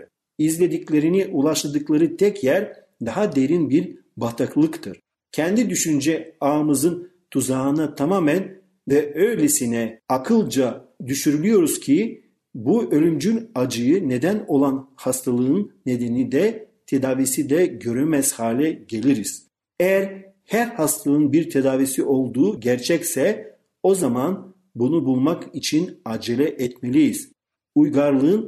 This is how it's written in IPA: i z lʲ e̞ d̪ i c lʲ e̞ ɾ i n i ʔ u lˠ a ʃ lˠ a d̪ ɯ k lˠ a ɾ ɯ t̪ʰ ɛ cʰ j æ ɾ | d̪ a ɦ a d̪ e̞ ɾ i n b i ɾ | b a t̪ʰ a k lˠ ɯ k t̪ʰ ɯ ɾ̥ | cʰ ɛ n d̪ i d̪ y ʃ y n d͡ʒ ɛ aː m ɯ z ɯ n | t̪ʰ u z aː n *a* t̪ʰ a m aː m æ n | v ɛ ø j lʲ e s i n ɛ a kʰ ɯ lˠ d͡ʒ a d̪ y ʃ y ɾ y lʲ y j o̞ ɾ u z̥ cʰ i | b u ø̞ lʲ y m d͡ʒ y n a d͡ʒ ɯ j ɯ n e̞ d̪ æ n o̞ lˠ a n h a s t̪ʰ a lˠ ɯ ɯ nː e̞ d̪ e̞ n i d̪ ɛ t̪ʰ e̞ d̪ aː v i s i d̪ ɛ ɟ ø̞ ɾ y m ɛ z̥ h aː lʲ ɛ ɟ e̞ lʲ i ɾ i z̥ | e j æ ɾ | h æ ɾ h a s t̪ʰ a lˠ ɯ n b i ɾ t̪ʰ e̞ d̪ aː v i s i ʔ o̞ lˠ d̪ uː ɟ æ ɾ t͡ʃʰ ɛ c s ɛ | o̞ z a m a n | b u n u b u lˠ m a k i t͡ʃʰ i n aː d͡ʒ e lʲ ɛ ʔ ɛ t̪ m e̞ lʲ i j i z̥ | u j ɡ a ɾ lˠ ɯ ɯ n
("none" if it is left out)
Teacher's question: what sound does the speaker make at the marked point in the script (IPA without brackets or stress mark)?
a